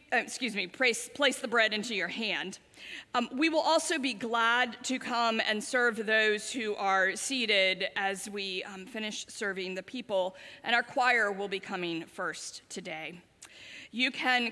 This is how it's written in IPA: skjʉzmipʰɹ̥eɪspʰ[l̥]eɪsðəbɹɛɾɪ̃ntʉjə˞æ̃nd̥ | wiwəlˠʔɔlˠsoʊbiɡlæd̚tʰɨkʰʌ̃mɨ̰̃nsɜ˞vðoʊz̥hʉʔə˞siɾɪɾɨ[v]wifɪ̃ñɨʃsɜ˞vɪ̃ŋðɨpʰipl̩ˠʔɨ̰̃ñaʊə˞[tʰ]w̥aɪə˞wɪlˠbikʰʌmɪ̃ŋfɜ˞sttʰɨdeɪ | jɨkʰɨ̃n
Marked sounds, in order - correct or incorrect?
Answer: correct, incorrect: z, incorrect: kʰ

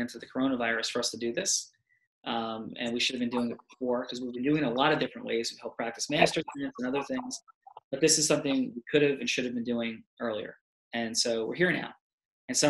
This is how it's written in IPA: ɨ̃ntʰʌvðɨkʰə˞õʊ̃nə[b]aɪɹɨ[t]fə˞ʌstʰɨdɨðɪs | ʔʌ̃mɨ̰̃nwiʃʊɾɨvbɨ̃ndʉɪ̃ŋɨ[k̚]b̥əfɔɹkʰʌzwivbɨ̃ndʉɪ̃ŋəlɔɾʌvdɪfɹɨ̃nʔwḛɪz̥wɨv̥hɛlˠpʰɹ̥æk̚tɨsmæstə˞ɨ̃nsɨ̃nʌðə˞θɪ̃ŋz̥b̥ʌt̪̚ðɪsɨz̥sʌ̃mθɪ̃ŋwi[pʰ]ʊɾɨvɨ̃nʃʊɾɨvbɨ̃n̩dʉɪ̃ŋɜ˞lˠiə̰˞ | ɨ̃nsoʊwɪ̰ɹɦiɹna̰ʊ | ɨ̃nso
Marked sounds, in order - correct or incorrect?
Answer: incorrect: v, incorrect: s, incorrect: t̚, incorrect: kʰ

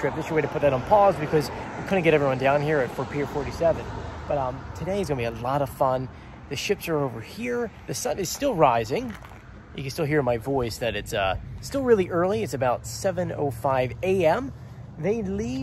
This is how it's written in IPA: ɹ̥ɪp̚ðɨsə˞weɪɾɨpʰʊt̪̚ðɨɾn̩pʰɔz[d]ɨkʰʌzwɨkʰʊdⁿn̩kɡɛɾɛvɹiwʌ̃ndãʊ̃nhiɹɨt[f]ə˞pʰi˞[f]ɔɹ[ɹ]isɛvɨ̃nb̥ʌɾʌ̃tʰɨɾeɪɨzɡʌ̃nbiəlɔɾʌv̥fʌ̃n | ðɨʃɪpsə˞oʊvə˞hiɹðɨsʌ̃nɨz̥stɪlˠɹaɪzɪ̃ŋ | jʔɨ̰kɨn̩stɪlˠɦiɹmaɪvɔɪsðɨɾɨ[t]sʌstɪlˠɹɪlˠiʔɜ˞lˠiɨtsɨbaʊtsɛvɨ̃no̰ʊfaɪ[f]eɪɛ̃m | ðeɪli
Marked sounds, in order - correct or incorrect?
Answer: incorrect: b, correct, correct, incorrect: ɾ, correct, incorrect: v

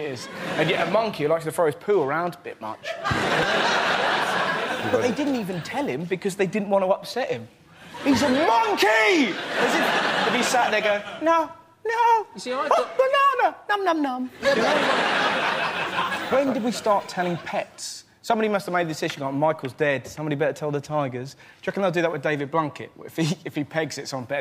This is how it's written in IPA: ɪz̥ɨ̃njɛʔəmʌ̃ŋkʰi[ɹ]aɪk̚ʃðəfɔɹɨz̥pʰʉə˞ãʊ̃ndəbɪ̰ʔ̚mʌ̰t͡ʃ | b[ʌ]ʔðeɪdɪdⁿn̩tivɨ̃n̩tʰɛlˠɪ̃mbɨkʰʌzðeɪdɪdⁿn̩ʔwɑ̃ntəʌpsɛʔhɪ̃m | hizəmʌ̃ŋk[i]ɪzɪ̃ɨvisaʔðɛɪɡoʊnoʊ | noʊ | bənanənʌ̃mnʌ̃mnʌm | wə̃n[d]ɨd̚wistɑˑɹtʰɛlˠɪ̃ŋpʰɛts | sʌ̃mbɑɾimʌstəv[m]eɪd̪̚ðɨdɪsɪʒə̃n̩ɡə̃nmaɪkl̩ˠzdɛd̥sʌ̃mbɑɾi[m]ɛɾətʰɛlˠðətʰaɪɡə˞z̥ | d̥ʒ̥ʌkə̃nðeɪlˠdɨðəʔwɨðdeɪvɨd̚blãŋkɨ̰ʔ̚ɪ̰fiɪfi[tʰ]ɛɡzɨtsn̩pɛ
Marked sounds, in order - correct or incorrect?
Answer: incorrect: l, correct, correct, correct, correct, incorrect: b, incorrect: pʰ

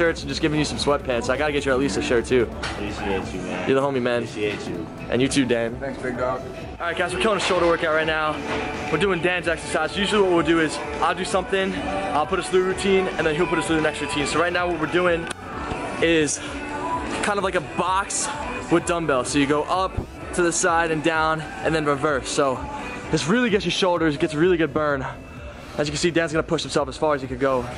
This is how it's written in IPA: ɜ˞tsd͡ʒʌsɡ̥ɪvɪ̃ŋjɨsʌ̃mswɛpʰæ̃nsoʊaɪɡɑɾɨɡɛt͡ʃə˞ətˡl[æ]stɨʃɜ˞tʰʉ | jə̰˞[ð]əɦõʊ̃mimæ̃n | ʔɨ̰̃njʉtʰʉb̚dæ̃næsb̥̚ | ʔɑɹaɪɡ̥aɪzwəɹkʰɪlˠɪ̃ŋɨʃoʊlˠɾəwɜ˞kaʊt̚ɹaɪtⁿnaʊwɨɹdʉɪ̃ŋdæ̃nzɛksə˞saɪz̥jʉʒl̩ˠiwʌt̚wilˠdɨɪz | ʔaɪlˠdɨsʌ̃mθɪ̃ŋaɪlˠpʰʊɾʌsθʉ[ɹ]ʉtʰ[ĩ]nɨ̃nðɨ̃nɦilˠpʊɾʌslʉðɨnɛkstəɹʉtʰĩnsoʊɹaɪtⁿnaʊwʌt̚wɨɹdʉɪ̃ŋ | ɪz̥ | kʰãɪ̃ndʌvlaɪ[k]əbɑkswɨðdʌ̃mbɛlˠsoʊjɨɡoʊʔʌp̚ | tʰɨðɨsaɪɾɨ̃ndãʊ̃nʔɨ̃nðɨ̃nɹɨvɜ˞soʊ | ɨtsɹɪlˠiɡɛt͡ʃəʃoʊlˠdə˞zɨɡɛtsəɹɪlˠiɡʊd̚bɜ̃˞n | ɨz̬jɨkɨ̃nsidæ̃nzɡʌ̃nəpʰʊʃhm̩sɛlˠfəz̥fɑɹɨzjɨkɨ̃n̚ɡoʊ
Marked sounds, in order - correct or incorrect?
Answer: incorrect: i, correct, correct, correct, correct

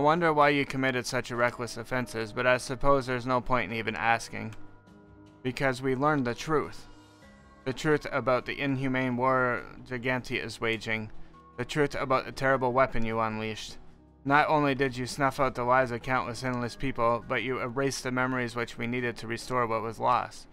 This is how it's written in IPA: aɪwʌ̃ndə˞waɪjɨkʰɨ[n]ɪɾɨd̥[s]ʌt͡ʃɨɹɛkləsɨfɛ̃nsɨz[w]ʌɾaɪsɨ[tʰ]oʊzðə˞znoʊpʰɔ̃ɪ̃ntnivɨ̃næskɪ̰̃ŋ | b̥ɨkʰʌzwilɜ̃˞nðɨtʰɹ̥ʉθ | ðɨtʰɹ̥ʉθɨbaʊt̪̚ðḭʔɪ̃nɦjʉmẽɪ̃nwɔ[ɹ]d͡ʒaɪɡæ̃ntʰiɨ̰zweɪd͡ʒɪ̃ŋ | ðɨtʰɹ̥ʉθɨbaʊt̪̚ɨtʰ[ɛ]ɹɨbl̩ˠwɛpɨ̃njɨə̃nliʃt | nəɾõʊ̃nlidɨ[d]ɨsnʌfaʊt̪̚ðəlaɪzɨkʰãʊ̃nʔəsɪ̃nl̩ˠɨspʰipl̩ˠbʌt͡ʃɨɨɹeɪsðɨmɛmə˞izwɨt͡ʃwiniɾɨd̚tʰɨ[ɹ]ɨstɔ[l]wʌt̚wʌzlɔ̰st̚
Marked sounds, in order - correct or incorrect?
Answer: incorrect: m, correct, incorrect: b, incorrect: pʰ, correct, correct, incorrect: d͡ʒ, correct, incorrect: ɹ

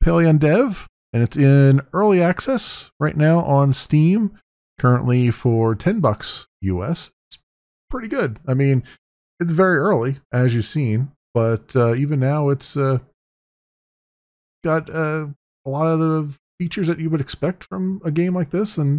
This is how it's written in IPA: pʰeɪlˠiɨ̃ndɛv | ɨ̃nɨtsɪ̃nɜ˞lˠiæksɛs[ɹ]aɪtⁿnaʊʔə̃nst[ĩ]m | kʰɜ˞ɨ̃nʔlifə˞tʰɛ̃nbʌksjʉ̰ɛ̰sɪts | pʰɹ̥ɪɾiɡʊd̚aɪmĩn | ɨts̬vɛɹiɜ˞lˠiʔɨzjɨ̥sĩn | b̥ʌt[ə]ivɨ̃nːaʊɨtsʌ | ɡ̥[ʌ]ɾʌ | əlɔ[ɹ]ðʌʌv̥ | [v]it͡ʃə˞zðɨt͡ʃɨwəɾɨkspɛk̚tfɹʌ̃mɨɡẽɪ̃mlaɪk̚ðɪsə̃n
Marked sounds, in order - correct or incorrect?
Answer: correct, correct, incorrect: ʌ, incorrect: ɑ, incorrect: ɾ, incorrect: f

